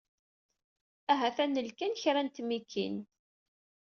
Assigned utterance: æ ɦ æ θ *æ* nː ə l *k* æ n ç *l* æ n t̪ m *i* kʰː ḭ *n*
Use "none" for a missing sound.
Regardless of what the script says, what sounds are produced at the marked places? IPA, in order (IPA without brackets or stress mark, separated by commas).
æ, k, ɾ, i, n